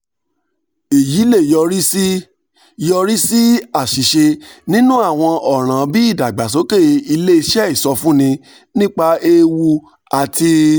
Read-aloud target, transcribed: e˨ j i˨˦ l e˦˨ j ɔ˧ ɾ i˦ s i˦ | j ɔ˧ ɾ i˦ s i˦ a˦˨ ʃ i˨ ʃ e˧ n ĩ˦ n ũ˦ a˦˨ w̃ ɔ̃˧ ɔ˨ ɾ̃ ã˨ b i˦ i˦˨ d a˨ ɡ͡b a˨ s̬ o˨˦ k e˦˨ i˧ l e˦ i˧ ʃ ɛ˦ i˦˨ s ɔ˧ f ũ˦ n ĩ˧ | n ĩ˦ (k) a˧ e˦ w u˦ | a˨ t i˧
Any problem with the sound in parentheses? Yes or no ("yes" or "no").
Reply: yes